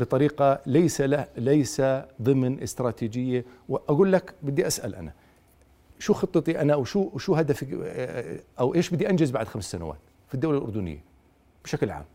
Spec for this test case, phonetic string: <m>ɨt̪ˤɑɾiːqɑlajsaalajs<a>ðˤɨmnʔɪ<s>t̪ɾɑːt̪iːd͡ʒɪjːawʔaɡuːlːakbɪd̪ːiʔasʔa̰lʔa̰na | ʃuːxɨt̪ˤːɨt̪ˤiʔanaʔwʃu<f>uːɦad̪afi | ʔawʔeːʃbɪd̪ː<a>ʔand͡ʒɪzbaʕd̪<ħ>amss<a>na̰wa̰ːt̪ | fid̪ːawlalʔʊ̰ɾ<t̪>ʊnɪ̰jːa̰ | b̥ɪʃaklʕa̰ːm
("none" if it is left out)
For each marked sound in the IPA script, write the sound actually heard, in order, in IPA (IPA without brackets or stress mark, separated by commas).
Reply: b, a, s, ʃ, i, x, a, d̪